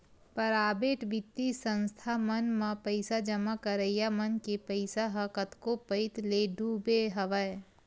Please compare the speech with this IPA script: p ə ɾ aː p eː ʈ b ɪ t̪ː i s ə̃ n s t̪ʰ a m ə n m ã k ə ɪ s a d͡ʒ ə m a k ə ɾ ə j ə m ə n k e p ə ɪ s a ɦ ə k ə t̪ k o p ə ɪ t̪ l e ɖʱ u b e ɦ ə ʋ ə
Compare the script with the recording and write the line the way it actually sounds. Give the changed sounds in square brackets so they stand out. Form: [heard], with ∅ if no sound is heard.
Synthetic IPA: p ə ɾ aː [b] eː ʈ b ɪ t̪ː i s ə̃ n s t̪ʰ a m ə n m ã [p] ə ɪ s a d͡ʒ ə m a k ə ɾ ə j [a] m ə n k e p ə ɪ s a ɦ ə k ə t̪ k o p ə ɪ t̪ l e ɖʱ u b e ɦ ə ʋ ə

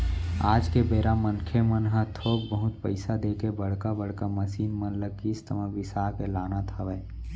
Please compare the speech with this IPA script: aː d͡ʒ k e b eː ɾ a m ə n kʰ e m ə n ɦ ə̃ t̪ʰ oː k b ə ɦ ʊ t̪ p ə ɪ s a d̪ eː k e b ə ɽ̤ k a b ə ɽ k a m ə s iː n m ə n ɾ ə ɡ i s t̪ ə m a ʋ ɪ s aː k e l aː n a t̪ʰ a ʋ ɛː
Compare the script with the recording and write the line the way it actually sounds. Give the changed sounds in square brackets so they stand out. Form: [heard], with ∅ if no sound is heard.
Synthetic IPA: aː d͡ʒ k e b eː ɾ a m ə n kʰ e m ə n ɦ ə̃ t̪ʰ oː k b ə ɦ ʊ t̪ p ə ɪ s a d̪ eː k e b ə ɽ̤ k a b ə ɽ k a m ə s iː n m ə n [l] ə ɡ i s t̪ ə m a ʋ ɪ s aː k e l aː n a t̪ʰ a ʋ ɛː

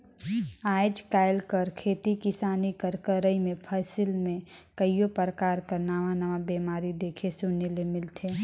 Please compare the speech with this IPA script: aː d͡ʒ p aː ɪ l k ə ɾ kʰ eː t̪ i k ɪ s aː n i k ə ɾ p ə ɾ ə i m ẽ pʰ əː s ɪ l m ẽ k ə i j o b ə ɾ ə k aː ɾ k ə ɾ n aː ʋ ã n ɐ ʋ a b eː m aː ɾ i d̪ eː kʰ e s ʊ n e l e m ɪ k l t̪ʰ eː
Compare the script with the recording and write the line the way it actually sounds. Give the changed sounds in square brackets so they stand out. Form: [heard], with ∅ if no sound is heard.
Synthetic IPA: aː d͡ʒ [k] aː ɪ l k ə ɾ kʰ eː t̪ i k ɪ s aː n i k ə ɾ [k] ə ɾ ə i m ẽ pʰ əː s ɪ l m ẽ k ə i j o [p] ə ɾ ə k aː ɾ k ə ɾ n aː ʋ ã n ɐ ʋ a b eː m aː ɾ i d̪ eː kʰ e s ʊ n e l e m ɪ [∅] l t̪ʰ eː

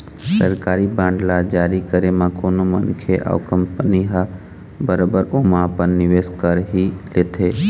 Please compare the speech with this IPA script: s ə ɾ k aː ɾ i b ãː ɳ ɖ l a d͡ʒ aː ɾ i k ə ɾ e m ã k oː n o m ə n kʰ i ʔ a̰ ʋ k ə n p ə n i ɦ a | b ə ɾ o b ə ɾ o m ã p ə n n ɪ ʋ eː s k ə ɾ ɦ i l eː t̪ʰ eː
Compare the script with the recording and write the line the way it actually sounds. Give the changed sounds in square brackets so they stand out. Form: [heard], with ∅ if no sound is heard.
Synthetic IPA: s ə ɾ k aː ɾ i b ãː ɳ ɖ l a d͡ʒ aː ɾ i k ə ɾ e m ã k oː n o m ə n kʰ [e] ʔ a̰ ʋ k ə [m] p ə n i ɦ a | b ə ɾ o b ə ɾ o m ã p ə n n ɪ ʋ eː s k ə ɾ ɦ i l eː t̪ʰ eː

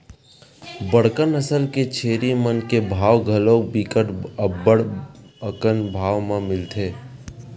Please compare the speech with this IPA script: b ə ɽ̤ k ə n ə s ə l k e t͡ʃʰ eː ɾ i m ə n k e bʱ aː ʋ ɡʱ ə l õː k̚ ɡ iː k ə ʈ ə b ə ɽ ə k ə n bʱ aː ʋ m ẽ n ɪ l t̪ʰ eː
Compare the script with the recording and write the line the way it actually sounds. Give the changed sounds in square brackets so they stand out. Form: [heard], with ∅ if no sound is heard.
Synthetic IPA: b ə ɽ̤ k ə n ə s ə l k e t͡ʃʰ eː ɾ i m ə n k e bʱ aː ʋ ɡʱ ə l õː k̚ [b] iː k ə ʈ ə b ə ɽ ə k ə n bʱ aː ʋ m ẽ [m] ɪ l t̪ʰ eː

